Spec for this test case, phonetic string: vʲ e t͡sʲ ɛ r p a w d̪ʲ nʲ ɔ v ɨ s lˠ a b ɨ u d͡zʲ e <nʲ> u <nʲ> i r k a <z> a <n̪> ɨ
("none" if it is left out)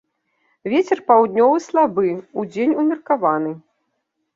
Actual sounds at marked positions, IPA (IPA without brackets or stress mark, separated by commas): nʲ, mʲ, v, n̪